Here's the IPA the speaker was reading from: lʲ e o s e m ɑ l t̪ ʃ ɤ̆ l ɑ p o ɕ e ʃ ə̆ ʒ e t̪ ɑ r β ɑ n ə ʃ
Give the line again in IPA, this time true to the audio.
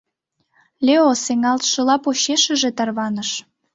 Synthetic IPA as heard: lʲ e o s e ŋ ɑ l t̪ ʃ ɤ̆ l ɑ p o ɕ e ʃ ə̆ ʒ e t̪ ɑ r β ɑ n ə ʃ

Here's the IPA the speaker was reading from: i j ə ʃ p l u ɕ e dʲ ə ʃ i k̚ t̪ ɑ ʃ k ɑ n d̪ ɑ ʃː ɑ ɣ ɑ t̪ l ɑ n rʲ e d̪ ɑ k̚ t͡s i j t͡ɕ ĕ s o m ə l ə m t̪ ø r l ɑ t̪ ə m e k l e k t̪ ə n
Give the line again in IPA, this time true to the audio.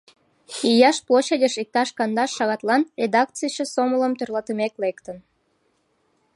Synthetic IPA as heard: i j ɑ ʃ p l o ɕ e dʲ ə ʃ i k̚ t̪ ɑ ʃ k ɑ n d̪ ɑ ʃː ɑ ɣ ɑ t̪ l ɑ n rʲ e d̪ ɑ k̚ t͡s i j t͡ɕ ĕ s o m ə l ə m t̪ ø r l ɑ t̪ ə m e k l e k t̪ ə n

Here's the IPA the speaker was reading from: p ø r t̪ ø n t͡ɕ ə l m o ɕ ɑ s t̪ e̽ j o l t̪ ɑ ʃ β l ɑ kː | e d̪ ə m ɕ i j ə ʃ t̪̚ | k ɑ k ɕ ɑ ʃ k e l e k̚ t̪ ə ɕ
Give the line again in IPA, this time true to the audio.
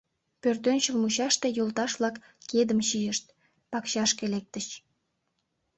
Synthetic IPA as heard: p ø r t̪ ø n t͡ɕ ə l m u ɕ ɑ ʃ t̪ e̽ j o l t̪ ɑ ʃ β l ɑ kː | e d̪ ə m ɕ i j ə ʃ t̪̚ | p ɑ k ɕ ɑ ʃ k e l e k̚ t̪ ə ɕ

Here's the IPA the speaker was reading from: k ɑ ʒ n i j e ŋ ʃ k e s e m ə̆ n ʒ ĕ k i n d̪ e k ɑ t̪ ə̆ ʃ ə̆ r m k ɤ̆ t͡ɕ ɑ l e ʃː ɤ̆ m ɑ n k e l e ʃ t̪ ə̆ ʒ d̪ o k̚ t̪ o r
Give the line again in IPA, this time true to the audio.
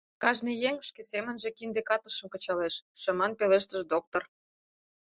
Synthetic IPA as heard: k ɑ ʒ n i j e ŋ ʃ k e s e m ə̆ n ʒ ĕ k i n d̪ e k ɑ t̪ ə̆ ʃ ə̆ m k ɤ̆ t͡ɕ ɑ l e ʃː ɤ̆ m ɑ n p e l e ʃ t̪ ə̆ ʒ d̪ o k̚ t̪ o r

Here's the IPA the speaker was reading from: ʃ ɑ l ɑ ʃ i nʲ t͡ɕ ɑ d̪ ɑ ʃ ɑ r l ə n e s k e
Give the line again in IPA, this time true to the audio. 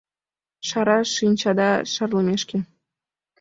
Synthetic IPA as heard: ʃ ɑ ɾ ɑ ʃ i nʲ t͡ɕ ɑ d̪ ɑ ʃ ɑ r l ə m e ʃ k e

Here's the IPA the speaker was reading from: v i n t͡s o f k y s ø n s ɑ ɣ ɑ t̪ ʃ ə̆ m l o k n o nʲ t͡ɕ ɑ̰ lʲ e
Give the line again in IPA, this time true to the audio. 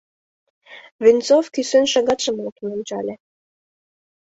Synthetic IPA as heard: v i n t͡s o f k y s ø n ʃ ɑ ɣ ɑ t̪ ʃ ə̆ m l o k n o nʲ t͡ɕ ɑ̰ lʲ e

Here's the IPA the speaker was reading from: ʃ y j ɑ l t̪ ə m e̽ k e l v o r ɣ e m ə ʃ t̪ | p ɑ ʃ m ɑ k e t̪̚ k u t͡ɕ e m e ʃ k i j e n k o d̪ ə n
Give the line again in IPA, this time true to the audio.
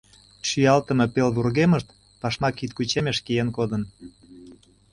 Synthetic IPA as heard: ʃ y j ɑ l t̪ ə m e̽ p e l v u r ɣ e m ə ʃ t̪ | p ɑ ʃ m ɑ k i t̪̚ k u t͡ɕ e m e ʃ k i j e n k o d̪ ə n

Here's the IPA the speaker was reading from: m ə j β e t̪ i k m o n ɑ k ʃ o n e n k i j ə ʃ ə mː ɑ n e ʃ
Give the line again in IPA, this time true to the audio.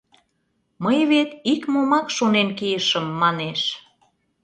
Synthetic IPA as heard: m ə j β e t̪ i k m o m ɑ k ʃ o n e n k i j ə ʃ ə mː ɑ n e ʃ

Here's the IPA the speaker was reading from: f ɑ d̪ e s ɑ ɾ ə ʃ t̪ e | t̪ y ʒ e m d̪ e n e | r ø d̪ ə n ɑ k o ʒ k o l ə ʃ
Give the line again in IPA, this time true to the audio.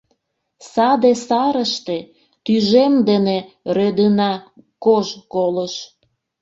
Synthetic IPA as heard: s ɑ d̪ e s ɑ ɾ ə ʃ t̪ e | t̪ y ʒ e m d̪ e n e | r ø d̪ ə n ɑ k o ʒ k o l ə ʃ

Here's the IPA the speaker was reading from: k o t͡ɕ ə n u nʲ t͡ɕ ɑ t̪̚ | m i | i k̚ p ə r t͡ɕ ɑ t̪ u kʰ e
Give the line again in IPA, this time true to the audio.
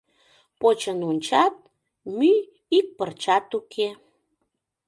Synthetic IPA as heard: p o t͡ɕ ə n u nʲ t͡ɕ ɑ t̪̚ | m y | i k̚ p ə r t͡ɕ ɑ t̪ u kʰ e

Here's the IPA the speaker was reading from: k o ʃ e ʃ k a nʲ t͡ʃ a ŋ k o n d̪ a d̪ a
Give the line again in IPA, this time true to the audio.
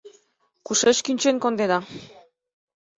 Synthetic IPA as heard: k u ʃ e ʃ k i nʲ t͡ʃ e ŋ k o n d̪ e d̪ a

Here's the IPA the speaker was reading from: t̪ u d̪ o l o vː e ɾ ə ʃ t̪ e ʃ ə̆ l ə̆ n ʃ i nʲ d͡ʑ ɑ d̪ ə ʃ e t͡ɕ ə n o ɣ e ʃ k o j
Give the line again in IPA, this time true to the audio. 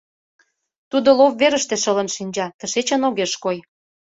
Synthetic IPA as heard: t̪ u d̪ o l o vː e ɾ ə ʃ t̪ e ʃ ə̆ l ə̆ n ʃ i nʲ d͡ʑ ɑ t̪ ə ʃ e t͡ɕ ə n o ɣ e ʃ k o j

